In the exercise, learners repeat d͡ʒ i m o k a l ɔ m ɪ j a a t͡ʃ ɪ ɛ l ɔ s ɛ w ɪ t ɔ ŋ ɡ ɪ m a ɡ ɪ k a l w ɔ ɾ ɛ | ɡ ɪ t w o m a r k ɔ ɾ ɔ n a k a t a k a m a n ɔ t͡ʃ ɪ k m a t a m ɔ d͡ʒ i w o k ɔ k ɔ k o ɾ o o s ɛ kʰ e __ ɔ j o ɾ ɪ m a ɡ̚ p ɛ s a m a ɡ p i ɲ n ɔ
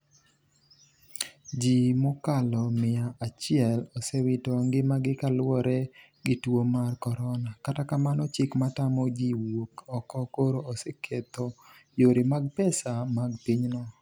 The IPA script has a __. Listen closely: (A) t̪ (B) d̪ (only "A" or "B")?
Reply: A